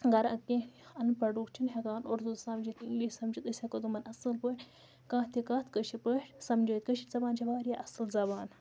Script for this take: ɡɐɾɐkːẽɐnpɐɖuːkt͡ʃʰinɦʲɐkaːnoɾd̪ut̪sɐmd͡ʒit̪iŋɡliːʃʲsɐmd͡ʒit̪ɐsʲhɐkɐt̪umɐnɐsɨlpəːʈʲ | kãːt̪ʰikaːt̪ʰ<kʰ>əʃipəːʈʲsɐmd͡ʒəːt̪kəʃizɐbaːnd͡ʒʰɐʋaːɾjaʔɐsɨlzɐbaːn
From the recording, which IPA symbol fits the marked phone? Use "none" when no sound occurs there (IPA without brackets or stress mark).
k